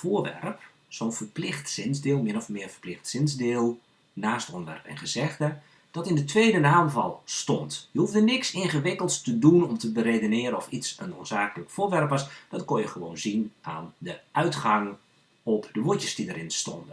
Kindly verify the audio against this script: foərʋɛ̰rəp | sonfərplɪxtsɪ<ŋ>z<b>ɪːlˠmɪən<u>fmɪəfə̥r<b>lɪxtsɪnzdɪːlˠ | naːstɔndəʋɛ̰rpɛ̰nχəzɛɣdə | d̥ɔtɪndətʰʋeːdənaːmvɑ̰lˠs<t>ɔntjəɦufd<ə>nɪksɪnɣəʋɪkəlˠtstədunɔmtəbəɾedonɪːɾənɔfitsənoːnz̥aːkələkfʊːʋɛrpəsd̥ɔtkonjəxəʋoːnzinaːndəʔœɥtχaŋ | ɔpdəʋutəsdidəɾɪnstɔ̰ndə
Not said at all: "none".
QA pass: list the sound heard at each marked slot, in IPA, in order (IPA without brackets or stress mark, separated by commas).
n, d, ɔ, p, t, ə